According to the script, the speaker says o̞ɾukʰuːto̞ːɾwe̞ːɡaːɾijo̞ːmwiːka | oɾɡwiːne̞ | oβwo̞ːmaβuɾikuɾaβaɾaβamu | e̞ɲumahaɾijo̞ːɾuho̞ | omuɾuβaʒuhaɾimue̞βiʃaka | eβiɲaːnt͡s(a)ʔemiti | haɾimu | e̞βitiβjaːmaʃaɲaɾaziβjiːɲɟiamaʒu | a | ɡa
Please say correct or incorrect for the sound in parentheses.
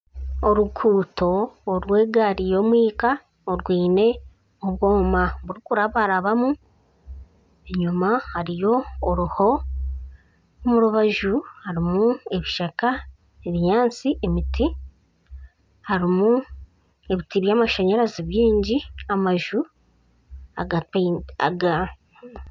incorrect